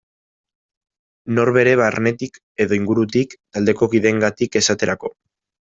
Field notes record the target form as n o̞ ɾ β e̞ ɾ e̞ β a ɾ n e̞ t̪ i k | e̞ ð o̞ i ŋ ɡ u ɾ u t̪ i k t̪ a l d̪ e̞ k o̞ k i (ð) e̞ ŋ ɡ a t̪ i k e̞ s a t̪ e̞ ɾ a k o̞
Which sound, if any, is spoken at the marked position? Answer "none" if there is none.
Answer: ð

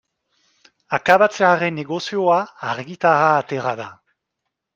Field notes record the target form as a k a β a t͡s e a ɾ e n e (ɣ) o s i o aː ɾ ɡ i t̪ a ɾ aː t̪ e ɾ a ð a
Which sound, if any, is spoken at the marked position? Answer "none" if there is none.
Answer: ɣ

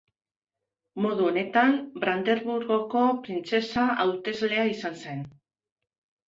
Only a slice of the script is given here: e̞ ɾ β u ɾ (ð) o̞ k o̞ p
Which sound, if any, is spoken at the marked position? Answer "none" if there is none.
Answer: ɣ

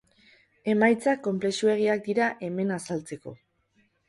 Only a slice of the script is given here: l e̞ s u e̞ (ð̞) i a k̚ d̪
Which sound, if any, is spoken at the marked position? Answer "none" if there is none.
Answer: ɣ̞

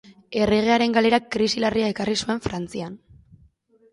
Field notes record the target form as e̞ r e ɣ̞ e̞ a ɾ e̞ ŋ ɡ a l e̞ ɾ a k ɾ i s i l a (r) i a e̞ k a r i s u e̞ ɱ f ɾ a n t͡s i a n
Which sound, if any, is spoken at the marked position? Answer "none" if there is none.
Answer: r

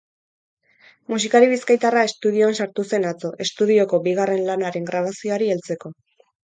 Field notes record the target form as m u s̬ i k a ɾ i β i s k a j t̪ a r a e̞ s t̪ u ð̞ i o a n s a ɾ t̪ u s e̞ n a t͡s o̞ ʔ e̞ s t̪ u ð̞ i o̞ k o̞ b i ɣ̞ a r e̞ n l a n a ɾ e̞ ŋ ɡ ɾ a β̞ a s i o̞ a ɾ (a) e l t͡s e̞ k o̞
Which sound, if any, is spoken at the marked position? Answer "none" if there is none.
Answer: i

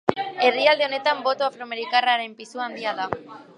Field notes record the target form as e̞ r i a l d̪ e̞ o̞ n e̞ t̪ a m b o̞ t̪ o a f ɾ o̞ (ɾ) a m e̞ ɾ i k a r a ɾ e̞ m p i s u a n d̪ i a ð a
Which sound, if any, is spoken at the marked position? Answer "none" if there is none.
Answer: none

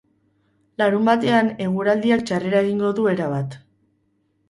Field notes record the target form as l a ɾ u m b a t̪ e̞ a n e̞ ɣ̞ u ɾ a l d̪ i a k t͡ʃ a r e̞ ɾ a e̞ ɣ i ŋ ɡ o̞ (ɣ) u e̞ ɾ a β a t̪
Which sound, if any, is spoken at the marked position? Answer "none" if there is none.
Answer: ð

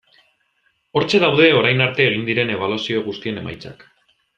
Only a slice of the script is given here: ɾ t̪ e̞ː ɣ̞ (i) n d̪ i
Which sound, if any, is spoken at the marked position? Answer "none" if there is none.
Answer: i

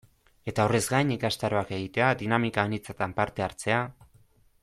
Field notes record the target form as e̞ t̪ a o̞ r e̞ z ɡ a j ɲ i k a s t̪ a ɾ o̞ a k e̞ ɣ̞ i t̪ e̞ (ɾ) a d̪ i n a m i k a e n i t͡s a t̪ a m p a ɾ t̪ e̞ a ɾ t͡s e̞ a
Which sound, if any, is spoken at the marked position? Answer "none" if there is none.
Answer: none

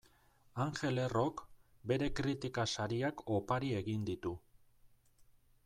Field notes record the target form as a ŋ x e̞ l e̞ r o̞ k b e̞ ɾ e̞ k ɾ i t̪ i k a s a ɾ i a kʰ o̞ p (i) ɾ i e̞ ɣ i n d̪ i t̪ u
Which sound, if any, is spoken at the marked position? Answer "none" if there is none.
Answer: a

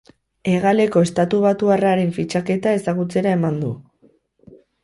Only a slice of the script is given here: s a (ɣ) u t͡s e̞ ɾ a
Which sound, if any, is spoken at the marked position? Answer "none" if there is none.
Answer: ɣ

